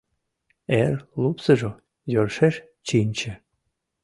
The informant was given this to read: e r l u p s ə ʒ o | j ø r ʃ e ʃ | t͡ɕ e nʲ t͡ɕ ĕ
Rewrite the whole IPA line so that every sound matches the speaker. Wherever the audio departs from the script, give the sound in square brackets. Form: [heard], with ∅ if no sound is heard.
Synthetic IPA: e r l u p s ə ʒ o | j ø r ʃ e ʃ | t͡ɕ [i] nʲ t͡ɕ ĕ